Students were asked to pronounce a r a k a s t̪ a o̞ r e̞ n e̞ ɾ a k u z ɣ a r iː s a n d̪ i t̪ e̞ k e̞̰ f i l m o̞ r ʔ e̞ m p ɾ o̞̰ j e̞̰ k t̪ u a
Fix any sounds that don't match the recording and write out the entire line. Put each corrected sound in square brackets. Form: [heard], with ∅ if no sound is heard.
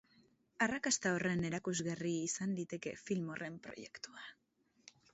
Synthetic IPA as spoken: a r a k a s t̪ a o̞ r e̞ n e̞ ɾ a k u z ɣ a r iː s a n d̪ i t̪ e̞ k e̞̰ f i l m o̞ r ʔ e̞ m p ɾ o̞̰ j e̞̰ k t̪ u a